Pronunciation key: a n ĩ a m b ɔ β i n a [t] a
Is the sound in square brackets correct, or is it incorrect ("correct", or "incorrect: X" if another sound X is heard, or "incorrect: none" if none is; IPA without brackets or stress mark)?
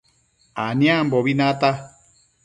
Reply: correct